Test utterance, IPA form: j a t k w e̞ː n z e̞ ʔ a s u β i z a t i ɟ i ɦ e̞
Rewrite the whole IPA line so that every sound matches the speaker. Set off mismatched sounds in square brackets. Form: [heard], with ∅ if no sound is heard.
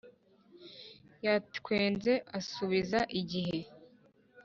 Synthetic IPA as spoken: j a t k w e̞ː n z e̞ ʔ a s u β i z a [ʔ] i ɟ i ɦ e̞